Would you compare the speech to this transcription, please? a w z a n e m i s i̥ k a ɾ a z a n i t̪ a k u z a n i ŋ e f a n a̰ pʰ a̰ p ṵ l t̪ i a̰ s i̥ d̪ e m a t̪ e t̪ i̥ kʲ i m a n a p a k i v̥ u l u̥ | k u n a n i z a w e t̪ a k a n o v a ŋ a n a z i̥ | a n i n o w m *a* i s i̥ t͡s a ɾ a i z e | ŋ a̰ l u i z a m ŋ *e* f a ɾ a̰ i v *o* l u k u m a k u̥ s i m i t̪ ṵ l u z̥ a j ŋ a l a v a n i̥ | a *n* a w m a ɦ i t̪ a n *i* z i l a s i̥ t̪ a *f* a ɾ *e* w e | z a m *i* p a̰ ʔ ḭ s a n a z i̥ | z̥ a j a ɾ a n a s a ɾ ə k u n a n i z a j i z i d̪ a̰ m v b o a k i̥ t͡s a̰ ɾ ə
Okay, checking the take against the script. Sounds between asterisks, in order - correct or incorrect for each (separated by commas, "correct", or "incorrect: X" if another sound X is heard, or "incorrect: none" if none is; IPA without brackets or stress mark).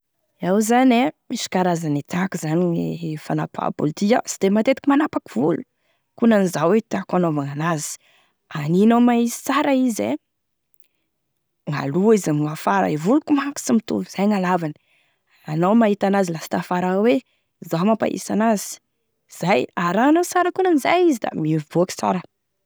correct, incorrect: a, incorrect: u, correct, incorrect: a, correct, incorrect: a, incorrect: a